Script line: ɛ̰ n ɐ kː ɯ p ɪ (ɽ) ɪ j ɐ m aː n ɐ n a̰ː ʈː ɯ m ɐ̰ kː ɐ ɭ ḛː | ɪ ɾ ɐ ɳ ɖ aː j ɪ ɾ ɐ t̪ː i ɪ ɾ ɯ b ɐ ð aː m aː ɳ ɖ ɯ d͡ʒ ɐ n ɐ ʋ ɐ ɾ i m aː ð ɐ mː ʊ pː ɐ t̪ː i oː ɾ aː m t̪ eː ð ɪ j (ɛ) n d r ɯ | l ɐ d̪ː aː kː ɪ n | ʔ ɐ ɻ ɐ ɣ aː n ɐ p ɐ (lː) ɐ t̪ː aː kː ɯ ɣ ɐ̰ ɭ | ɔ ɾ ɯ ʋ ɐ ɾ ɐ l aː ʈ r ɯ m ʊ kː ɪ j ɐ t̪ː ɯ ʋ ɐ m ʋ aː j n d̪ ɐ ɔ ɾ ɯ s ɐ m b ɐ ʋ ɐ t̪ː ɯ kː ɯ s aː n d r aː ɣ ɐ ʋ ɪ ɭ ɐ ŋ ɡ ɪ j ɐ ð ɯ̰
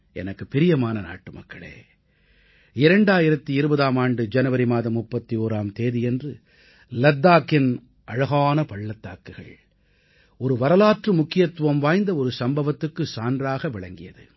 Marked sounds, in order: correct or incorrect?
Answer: incorrect, correct, incorrect

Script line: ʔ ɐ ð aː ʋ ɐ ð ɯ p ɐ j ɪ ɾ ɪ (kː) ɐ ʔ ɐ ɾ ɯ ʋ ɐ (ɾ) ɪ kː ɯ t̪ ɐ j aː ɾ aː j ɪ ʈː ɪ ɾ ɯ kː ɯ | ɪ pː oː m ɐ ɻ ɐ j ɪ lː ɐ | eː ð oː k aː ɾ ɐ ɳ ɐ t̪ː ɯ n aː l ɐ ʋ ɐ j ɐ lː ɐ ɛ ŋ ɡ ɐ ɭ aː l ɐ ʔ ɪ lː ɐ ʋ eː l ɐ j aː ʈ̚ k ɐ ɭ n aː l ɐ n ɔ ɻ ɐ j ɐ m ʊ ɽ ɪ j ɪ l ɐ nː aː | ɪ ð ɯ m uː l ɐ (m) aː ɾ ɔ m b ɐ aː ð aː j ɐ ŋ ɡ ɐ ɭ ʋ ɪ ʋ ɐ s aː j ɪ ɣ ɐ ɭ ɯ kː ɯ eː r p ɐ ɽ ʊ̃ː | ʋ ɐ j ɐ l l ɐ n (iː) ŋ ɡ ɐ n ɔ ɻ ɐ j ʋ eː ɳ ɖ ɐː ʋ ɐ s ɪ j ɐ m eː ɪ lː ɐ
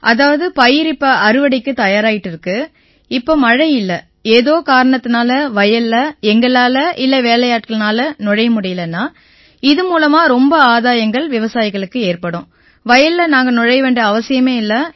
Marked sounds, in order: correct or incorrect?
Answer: incorrect, incorrect, correct, incorrect

